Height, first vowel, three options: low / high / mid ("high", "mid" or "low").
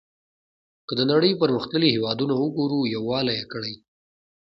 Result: mid